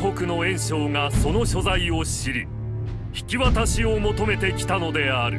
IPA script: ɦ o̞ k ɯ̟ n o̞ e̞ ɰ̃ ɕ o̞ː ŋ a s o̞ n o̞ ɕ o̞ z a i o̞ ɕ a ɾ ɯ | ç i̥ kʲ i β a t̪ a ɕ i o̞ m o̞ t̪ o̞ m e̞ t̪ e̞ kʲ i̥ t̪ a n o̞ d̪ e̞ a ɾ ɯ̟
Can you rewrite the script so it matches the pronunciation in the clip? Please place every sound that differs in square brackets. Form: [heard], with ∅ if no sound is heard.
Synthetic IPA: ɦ o̞ k ɯ̟ n o̞ [ẽ̞] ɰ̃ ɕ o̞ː ŋ a s o̞ n o̞ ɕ o̞ z a i o̞ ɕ [i] ɾ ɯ | ç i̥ kʲ i β a t̪ a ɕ i o̞ m o̞ t̪ o̞ m e̞ t̪ e̞ kʲ i̥ t̪ a n o̞ d̪ e̞ a ɾ ɯ̟